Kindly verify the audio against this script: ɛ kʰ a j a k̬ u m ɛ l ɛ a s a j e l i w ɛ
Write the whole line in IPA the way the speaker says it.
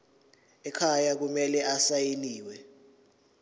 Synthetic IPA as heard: ɛ kʰ a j a k̬ u m ɛ l ɛ a s a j e l iː w ɛ